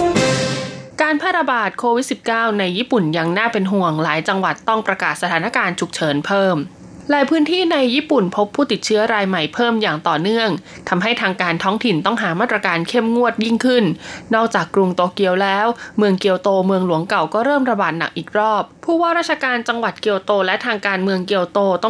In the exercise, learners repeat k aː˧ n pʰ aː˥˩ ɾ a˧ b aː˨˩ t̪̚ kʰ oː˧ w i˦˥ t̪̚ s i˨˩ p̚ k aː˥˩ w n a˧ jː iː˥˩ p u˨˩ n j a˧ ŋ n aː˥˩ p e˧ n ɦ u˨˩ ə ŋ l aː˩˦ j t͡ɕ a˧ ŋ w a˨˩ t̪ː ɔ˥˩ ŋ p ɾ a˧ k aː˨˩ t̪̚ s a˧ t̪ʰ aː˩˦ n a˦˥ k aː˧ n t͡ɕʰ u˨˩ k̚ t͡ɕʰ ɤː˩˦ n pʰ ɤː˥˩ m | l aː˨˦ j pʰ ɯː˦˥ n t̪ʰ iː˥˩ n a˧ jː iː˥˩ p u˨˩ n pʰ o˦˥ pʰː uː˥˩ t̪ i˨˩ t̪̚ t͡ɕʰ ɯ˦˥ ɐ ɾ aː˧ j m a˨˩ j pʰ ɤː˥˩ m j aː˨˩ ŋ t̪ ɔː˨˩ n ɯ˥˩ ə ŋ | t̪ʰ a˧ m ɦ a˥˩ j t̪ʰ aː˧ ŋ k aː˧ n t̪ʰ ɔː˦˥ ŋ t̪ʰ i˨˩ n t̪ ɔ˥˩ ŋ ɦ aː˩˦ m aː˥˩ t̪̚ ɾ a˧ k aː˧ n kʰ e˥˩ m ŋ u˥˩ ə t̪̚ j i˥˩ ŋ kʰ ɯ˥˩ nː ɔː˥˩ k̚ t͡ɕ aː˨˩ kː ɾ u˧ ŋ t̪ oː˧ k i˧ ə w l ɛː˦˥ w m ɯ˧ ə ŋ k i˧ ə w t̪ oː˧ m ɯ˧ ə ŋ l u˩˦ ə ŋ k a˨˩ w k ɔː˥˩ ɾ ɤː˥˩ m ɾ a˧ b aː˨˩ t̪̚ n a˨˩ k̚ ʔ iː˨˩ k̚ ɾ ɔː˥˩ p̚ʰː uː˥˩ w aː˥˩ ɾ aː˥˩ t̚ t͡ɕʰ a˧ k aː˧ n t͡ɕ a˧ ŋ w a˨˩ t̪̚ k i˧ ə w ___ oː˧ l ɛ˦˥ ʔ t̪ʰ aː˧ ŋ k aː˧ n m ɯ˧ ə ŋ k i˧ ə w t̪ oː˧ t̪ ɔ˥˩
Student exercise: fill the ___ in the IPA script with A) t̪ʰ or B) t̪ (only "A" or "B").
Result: B